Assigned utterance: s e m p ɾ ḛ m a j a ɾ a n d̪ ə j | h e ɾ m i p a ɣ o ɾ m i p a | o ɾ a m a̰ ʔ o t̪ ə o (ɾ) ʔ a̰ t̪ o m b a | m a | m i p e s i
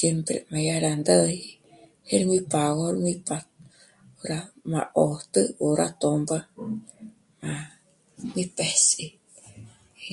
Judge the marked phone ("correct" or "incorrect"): correct